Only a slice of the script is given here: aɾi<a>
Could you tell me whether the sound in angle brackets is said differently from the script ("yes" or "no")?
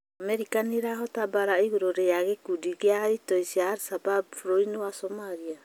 no